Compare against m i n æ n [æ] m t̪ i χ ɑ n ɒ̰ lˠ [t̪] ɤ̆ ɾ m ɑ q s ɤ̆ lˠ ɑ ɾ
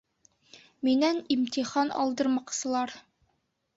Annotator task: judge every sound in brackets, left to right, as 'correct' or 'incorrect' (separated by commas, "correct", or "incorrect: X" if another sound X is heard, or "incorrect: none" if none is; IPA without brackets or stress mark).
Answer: incorrect: i, incorrect: d̪